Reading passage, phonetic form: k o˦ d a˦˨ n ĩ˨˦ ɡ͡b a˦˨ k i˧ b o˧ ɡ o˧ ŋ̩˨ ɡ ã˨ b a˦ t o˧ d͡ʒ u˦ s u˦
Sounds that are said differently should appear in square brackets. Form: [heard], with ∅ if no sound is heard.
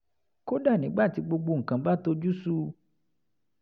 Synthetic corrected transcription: k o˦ d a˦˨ n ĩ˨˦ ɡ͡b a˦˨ [t] i˧ [ɡ͡b] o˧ [ɡ͡b] o˧ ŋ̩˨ [k] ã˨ b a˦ t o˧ d͡ʒ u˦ s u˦